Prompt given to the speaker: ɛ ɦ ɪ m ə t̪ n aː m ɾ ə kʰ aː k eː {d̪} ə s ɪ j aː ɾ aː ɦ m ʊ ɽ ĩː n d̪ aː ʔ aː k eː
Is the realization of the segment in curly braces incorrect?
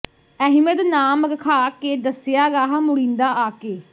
no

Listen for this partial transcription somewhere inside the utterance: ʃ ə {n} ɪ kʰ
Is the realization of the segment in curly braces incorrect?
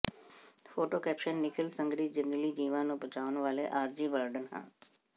yes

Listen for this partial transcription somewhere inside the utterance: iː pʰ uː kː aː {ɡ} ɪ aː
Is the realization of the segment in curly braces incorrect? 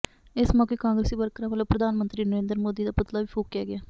no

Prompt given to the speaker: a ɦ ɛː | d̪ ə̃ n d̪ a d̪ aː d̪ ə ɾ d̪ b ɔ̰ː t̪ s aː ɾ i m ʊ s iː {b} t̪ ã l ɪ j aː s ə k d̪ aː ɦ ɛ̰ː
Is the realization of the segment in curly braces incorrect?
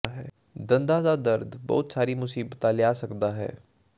no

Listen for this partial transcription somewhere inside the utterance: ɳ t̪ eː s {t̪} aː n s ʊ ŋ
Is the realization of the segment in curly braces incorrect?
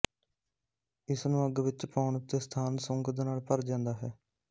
yes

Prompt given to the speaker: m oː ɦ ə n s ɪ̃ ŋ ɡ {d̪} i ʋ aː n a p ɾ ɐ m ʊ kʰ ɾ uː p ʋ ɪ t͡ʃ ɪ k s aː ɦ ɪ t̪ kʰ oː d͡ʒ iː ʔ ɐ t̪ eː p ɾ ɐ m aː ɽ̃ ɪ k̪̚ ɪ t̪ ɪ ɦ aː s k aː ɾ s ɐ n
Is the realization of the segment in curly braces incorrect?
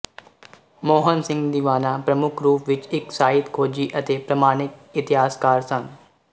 no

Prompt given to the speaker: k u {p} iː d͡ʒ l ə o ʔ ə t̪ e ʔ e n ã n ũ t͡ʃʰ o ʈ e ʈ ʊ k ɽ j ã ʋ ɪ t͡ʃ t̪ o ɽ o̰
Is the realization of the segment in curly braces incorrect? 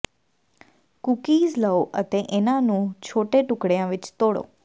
yes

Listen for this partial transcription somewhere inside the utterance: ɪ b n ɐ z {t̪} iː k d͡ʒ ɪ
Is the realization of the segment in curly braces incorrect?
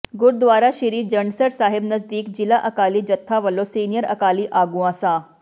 yes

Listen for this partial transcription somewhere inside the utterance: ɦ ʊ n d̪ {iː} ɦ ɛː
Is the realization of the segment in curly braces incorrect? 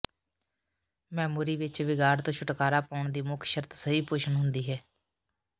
no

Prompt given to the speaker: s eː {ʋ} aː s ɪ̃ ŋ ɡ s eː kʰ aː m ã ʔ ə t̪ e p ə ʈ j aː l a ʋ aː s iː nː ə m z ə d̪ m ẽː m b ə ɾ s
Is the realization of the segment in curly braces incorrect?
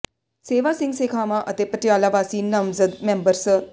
no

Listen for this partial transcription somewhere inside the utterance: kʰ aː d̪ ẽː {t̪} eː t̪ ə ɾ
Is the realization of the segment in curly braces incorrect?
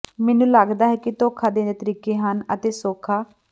yes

